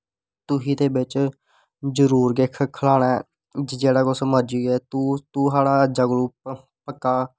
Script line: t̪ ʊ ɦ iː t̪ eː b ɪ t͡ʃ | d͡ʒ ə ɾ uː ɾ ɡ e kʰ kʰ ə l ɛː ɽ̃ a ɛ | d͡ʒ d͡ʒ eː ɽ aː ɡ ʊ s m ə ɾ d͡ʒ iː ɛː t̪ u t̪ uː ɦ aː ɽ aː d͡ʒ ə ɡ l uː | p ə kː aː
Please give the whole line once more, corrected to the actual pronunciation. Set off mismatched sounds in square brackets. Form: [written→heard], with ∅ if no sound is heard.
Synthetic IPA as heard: t̪ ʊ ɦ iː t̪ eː b ɪ t͡ʃ | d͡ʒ ə ɾ uː ɾ ɡ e kʰ kʰ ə l [ɛː→aː] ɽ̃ a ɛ | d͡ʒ d͡ʒ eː ɽ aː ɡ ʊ s m ə ɾ d͡ʒ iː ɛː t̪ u t̪ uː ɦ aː ɽ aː d͡ʒ ə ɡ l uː | p ə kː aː